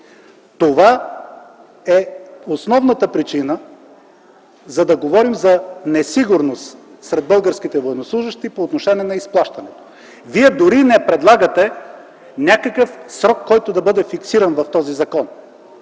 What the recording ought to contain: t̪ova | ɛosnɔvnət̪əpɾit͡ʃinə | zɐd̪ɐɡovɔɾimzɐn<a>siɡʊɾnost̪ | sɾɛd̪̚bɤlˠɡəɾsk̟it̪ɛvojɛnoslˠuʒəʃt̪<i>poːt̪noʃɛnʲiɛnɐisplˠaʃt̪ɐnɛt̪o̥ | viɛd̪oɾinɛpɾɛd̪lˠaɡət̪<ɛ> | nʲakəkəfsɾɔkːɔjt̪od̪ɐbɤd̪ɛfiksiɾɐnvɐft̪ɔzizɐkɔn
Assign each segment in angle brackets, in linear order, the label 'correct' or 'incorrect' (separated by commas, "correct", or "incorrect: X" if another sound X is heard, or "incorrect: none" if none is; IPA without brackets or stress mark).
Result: incorrect: ɛ, correct, correct